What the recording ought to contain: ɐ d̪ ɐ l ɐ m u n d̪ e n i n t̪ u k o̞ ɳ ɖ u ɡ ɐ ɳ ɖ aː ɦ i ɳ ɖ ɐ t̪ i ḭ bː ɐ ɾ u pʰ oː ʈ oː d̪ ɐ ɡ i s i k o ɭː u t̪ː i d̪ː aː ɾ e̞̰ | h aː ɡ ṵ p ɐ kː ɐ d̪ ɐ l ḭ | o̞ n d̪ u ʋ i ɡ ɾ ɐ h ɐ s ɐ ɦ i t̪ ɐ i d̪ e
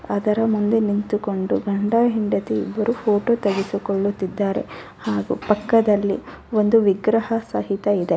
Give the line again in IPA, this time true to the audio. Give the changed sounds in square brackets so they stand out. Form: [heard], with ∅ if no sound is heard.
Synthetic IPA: ɐ d̪ ɐ [ɾ] ɐ m u n d̪ e n i n t̪ u k o̞ ɳ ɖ u ɡ ɐ ɳ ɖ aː ɦ i ɳ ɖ ɐ t̪ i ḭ bː ɐ ɾ u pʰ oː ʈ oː [t̪] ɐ ɡ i s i k o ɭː u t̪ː i d̪ː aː ɾ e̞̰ | h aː ɡ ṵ p ɐ kː ɐ d̪ ɐ [lː] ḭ | o̞ n d̪ u ʋ i ɡ ɾ ɐ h ɐ s ɐ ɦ i t̪ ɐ i d̪ e